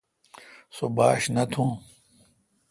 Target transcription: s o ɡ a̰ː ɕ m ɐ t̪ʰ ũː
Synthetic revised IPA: s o b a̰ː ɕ n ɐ t̪ʰ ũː